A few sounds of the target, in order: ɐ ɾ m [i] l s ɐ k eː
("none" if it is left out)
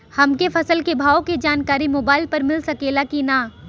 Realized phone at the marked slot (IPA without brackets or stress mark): ɪ